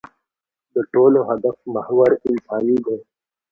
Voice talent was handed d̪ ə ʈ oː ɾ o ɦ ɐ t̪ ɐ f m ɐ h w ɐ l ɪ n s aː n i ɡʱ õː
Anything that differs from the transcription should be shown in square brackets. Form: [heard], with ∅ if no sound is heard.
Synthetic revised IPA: d̪ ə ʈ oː [l] o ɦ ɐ [d̪] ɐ f m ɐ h w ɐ [ɾ] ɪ n s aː n i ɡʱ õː